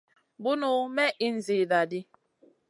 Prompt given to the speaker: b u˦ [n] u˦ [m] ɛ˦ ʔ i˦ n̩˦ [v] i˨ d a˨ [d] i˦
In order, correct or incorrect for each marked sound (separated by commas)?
correct, correct, incorrect, correct